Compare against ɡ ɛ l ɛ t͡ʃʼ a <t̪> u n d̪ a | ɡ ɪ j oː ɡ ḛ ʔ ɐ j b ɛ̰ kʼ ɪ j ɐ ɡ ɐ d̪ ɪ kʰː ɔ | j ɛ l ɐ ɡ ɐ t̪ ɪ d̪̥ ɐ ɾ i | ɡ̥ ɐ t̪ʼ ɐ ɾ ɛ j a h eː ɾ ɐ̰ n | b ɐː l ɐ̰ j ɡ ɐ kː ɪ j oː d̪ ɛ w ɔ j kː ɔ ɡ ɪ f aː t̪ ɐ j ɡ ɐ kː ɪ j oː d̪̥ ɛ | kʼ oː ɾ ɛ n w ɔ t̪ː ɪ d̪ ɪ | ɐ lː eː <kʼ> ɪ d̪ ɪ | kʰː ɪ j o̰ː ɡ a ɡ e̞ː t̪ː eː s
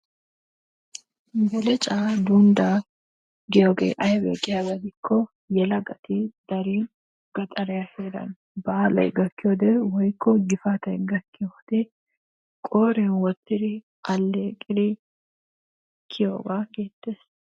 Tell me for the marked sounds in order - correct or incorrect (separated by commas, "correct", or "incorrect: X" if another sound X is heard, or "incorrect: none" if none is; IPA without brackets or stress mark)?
incorrect: d̪, correct